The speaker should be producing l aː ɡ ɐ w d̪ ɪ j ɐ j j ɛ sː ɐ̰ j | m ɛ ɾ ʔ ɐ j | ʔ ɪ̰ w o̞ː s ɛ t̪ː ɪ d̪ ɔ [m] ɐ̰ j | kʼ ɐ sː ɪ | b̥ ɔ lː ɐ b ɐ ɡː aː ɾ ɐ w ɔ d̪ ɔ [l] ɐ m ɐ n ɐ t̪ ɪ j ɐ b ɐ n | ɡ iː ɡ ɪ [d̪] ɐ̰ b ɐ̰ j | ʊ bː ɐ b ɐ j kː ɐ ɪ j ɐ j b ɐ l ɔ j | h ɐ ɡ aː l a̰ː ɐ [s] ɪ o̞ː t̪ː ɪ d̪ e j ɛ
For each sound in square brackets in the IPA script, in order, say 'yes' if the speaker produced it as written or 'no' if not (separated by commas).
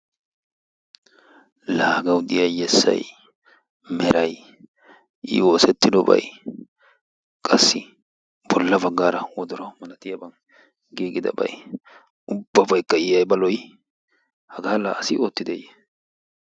no, no, yes, yes